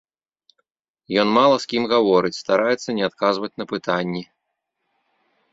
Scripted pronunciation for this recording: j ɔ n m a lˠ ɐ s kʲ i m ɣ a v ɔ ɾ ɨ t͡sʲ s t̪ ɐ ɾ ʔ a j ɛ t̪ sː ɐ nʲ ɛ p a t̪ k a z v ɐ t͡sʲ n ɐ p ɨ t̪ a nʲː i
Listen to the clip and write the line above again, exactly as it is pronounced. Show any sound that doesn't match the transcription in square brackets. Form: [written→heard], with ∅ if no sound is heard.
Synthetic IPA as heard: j ɔ n m a lˠ ɐ s kʲ i m ɣ a v ɔ ɾ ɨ t͡sʲ s t̪ [ɐ→a] ɾ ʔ a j ɛ t̪ sː ɐ nʲ ɛ [p→∅] a t̪ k a z v ɐ t͡sʲ n ɐ p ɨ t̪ a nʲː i